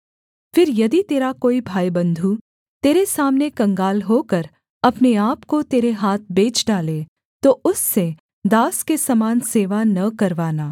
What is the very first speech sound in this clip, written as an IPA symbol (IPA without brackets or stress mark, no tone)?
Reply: f